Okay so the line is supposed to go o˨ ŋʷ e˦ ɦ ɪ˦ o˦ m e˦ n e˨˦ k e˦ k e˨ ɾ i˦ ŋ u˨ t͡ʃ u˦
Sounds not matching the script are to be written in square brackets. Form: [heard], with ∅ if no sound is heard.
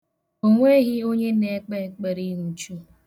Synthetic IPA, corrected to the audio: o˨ ŋʷ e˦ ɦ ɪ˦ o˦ [ɲ] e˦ n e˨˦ [k͡p] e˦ [k͡p] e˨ ɾ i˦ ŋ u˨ t͡ʃ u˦